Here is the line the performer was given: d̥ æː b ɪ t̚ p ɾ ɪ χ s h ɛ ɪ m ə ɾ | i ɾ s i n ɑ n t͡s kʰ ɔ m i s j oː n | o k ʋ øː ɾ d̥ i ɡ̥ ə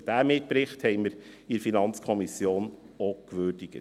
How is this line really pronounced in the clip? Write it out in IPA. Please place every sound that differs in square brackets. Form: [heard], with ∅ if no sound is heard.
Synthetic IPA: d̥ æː [m] ɪ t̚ p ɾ ɪ χ [t] h ɛ ɪ m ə ɾ | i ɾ [f] i n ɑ n t͡s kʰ ɔ m i s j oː n | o k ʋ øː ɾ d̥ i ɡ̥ ə